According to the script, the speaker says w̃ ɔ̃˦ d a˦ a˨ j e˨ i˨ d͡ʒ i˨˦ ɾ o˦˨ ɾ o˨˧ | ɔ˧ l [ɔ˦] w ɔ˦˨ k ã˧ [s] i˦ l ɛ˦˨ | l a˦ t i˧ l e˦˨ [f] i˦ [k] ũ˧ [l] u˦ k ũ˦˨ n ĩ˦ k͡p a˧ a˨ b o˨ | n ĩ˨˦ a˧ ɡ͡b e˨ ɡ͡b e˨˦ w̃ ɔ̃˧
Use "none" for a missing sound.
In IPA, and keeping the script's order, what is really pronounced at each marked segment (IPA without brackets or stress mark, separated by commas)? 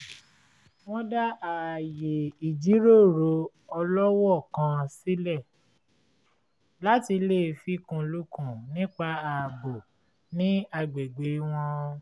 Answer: ɔ˦, s, f, k, l